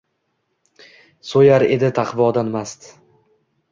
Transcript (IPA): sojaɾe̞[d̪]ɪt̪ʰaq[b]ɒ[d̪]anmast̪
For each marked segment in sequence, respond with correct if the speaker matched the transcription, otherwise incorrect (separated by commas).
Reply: correct, incorrect, correct